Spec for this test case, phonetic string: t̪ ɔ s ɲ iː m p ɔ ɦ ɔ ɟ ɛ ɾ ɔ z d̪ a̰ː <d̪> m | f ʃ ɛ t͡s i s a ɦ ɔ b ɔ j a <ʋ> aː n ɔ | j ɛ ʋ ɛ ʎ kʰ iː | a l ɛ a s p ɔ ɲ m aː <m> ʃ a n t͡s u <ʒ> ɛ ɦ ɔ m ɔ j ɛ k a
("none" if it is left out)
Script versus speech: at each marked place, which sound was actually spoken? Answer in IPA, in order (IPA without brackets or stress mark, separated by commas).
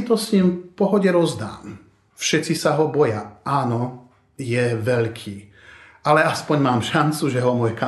none, none, m, ʒ